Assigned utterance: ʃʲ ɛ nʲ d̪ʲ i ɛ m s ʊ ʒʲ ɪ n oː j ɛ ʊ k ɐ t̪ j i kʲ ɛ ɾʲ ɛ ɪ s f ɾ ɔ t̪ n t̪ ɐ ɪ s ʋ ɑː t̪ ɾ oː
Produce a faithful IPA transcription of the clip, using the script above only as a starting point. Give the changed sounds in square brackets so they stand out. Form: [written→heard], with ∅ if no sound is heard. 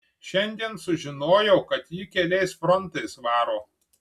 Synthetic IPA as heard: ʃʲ ɛ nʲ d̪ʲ i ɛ [m→n] s ʊ ʒʲ ɪ n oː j ɛ ʊ k ɐ t̪ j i kʲ ɛ [ɾʲ→lʲ] ɛ ɪ s f ɾ ɔ [t̪→∅] n t̪ ɐ ɪ s ʋ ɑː [t̪→∅] ɾ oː